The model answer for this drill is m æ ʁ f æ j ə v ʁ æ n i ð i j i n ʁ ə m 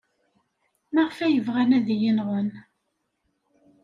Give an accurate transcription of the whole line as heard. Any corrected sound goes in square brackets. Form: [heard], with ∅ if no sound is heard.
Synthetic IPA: m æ ʁ f æ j ə v ʁ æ n [æ] ð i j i n ʁ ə [n]